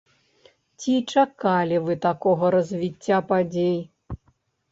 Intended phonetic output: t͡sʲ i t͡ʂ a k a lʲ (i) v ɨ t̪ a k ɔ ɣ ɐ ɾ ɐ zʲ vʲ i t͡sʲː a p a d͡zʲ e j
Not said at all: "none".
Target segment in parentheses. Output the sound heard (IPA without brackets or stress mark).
i